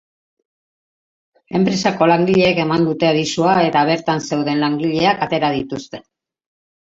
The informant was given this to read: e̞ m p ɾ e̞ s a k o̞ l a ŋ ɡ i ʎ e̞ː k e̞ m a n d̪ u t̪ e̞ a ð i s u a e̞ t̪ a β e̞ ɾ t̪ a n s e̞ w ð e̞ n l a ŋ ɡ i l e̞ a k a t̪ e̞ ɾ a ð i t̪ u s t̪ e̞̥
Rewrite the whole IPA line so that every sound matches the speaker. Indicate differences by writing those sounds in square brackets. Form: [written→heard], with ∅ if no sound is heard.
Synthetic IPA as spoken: e̞ m p ɾ e̞ s a k o̞ l a ŋ ɡ i ʎ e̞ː k e̞ m a n d̪ u t̪ e̞ a ð i s u a e̞ t̪ a β e̞ ɾ t̪ a n s e̞ w ð e̞ n l a ŋ ɡ i [l→ʎ] e̞ a k a t̪ e̞ ɾ a ð i t̪ u s t̪ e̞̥